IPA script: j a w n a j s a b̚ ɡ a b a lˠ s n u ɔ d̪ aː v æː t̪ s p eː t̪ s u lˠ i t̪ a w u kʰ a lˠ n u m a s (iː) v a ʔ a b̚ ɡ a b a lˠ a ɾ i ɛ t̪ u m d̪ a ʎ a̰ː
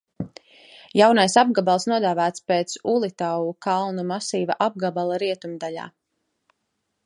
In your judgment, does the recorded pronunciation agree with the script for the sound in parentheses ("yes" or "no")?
yes